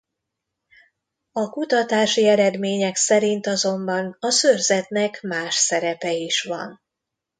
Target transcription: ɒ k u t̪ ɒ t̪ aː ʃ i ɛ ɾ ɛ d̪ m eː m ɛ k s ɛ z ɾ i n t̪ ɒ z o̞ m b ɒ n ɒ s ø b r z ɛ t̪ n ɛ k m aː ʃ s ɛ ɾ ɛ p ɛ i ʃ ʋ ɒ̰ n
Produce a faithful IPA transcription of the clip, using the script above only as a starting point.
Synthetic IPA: ɒ k u t̪ ɒ t̪ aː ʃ i ɛ ɾ ɛ d̪ m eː ɲ ɛ k s ɛ ɾ i n t̪ ɒ z o̞ m b ɒ n ɒ s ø r z ɛ t̪ n ɛ k m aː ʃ s ɛ ɾ ɛ p ɛ i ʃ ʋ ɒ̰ n